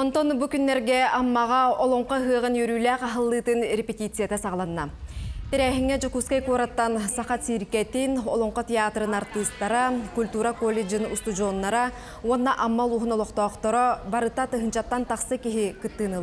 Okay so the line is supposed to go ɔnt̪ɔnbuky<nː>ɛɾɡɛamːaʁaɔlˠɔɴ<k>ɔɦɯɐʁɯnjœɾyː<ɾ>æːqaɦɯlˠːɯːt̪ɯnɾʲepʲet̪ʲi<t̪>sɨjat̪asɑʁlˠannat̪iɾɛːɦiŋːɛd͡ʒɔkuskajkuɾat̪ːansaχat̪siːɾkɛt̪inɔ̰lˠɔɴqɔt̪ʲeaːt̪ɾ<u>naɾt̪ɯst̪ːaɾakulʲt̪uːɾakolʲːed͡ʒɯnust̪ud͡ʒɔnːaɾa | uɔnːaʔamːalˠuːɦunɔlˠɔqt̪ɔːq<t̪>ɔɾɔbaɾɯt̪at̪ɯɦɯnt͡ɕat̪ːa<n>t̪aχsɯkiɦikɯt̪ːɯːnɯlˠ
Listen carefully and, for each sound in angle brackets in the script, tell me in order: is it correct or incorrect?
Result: correct, incorrect, incorrect, correct, incorrect, correct, correct

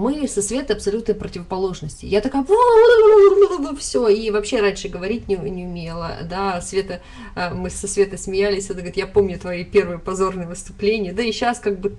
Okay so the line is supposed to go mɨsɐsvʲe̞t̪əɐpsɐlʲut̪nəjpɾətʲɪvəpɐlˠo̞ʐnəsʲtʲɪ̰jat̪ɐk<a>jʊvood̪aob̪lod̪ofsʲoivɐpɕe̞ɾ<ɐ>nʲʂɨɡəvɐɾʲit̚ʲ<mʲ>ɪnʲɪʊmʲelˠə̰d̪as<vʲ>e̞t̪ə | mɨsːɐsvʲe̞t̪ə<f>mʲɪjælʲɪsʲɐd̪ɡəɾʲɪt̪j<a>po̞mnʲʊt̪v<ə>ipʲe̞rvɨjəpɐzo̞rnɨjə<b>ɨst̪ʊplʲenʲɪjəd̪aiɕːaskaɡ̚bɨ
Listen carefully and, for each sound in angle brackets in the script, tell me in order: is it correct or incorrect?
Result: correct, incorrect, incorrect, correct, incorrect, correct, incorrect, incorrect

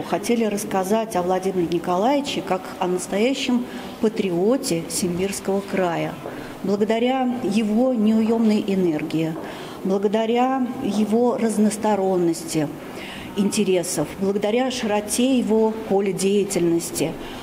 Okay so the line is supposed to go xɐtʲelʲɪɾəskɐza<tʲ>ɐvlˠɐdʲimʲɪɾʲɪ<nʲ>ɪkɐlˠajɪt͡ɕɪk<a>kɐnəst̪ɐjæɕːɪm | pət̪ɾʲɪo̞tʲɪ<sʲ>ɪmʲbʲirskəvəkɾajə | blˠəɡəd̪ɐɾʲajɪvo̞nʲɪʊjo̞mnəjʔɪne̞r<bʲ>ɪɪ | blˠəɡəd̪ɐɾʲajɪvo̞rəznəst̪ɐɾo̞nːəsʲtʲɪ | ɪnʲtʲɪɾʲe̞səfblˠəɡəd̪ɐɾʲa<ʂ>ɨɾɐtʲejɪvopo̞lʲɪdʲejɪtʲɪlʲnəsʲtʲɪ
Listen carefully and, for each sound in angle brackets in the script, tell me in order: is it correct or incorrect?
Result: correct, correct, correct, correct, incorrect, correct

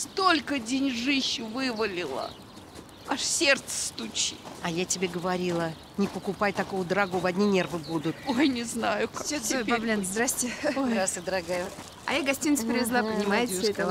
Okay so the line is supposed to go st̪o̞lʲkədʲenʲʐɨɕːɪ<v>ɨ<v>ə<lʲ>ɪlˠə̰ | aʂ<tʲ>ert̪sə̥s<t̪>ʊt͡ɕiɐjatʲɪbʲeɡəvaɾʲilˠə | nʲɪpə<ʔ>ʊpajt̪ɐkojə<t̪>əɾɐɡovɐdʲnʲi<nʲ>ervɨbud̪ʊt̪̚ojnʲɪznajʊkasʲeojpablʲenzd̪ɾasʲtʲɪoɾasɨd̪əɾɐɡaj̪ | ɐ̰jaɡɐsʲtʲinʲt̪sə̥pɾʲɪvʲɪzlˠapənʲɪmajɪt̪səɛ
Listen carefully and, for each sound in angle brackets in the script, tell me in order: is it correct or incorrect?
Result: correct, correct, correct, incorrect, correct, incorrect, incorrect, correct

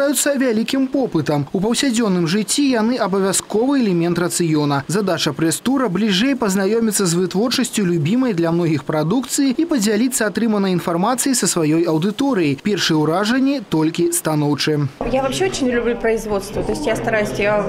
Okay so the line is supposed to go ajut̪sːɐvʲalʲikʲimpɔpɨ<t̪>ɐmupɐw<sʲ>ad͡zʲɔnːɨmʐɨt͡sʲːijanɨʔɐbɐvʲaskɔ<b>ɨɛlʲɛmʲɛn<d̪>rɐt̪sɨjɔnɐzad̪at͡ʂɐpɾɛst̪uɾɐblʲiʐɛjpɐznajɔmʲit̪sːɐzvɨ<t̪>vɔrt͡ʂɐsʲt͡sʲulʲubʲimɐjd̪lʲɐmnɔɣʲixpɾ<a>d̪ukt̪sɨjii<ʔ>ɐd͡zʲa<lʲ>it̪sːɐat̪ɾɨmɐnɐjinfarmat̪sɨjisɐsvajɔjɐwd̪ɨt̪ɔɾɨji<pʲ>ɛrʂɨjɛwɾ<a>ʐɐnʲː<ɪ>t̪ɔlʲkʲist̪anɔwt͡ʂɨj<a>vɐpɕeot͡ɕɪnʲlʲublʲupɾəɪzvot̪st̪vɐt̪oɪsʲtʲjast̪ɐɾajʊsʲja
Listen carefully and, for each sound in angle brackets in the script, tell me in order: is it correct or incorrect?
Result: correct, correct, incorrect, incorrect, correct, correct, incorrect, correct, correct, correct, incorrect, correct

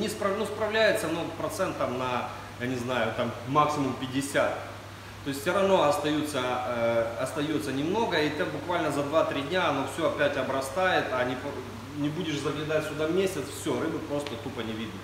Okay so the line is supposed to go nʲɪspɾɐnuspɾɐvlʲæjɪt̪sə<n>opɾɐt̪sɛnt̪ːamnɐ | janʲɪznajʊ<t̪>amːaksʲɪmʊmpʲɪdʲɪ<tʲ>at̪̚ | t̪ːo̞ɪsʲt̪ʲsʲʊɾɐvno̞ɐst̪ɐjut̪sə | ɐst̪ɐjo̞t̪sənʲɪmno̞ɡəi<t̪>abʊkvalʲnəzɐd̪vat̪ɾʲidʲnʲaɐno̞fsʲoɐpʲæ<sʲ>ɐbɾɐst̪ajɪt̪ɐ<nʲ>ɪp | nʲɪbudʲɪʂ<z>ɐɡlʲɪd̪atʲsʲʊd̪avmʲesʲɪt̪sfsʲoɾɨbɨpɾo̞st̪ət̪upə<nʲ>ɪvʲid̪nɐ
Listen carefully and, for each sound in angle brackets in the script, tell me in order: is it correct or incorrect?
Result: correct, correct, incorrect, correct, incorrect, correct, correct, correct

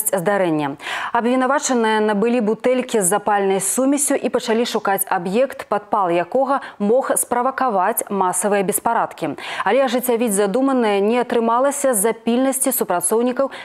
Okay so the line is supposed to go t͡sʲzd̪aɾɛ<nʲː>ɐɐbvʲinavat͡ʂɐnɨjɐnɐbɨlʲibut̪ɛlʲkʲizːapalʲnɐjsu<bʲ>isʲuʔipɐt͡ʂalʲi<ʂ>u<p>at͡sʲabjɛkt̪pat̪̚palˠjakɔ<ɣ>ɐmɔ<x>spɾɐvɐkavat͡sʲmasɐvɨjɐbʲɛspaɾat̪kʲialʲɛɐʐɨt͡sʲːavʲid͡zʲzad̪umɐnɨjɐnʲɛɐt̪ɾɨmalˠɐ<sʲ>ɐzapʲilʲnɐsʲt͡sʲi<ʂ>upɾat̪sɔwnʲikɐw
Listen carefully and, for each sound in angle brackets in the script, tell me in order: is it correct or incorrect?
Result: correct, incorrect, correct, incorrect, correct, correct, correct, incorrect

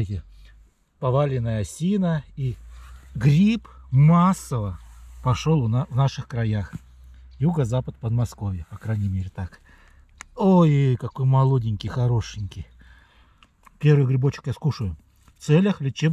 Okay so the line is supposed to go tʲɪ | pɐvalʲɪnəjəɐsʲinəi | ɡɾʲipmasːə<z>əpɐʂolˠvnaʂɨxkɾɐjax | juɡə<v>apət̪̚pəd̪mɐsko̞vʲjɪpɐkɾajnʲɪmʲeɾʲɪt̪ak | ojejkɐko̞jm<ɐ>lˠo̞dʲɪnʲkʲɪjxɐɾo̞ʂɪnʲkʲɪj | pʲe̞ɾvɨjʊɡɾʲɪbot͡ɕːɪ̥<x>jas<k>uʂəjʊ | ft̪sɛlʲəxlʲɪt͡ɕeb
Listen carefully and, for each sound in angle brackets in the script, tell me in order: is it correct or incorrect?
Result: incorrect, incorrect, correct, incorrect, correct

